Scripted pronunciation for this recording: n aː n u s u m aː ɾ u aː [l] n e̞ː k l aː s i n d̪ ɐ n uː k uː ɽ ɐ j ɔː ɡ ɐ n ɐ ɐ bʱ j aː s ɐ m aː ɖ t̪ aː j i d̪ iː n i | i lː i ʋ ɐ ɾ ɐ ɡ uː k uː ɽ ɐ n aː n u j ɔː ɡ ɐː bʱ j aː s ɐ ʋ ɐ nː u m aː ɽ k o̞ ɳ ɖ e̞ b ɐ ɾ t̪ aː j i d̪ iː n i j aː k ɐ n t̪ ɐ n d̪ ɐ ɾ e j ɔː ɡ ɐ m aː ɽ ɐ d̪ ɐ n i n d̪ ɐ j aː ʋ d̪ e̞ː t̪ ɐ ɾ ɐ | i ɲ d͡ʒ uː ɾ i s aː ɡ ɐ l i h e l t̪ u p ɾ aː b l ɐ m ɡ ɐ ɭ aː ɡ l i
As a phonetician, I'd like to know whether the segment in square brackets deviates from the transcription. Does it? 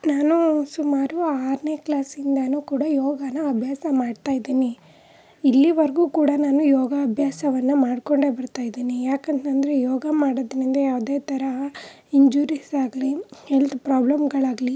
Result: yes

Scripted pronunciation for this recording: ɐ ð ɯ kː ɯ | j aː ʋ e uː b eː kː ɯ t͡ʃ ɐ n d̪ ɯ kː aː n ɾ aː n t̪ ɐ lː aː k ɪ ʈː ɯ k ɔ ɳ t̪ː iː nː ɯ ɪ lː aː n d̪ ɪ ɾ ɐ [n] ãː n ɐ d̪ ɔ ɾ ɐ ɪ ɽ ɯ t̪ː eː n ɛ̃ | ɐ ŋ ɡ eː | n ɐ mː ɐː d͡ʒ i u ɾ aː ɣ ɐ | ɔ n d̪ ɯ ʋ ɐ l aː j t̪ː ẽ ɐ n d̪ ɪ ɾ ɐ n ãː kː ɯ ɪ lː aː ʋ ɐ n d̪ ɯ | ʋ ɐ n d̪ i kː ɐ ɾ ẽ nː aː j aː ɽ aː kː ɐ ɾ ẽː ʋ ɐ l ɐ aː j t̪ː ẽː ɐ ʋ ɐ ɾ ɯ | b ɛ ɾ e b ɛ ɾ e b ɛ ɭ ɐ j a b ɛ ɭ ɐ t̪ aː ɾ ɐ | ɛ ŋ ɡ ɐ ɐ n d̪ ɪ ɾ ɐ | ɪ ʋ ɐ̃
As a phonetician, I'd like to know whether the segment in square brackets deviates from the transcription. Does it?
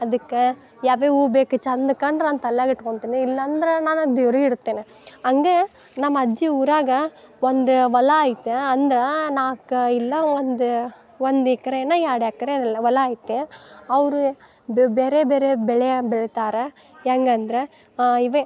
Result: no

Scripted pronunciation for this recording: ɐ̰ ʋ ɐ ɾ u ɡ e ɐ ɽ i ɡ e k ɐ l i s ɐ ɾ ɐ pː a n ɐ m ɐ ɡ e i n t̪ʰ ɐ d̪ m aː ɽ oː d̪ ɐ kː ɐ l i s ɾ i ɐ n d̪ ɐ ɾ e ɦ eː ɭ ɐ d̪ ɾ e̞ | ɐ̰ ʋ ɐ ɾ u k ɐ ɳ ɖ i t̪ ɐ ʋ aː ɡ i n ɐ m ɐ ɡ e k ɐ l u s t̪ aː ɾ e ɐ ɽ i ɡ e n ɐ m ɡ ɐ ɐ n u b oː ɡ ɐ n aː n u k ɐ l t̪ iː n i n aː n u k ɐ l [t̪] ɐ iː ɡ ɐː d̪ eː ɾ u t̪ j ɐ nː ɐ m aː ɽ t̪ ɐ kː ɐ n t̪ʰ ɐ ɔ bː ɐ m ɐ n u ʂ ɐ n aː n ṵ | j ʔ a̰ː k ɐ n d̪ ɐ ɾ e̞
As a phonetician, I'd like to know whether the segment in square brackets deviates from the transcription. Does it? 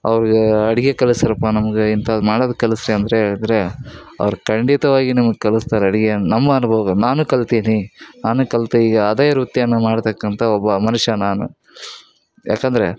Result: no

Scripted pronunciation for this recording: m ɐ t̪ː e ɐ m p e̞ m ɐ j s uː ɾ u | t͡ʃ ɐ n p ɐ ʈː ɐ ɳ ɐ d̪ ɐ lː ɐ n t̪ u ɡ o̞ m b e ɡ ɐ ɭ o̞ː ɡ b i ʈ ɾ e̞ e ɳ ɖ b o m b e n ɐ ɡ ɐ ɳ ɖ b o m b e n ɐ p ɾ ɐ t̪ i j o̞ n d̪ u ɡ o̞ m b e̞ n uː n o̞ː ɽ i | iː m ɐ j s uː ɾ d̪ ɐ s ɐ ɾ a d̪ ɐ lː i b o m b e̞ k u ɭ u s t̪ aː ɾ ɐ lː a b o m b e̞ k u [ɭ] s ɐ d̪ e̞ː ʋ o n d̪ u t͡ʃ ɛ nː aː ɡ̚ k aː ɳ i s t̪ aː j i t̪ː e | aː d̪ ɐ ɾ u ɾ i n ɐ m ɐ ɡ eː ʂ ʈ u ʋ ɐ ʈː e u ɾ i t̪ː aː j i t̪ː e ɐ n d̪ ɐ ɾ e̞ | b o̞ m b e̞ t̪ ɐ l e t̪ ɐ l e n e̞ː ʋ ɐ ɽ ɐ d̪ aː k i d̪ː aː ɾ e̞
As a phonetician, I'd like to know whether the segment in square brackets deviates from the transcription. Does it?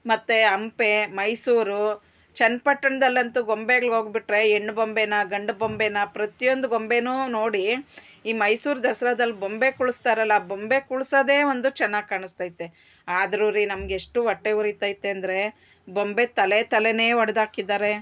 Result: no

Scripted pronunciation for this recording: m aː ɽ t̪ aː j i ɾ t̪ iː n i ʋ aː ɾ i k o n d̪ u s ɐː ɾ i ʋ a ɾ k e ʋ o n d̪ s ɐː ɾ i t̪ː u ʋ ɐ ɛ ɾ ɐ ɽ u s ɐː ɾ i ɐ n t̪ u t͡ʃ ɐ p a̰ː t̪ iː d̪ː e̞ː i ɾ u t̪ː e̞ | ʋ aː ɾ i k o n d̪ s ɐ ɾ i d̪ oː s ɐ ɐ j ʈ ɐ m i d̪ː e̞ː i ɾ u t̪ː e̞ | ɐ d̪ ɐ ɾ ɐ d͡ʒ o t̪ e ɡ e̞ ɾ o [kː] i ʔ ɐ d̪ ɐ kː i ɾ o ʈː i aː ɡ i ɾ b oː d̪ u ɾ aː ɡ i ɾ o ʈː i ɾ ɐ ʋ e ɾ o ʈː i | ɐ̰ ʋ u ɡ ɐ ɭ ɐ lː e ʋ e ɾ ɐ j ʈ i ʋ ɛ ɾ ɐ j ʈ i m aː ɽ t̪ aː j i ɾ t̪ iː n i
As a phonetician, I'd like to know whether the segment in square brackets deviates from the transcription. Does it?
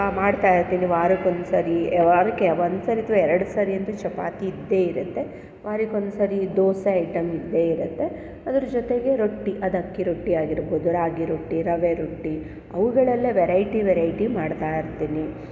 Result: yes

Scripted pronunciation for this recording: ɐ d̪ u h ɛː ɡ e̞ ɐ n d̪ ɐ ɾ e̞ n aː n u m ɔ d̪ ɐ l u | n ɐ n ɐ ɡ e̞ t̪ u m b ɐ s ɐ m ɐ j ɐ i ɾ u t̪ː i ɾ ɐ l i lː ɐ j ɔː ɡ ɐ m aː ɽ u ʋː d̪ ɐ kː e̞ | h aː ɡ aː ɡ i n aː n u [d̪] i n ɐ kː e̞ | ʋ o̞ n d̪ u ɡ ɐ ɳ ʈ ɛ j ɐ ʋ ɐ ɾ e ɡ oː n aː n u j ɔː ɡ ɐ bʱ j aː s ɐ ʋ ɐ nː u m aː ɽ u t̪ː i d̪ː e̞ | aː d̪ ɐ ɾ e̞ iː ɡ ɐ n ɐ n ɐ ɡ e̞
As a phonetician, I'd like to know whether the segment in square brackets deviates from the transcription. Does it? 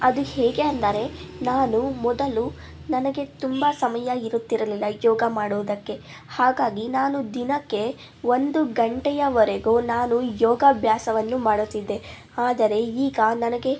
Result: no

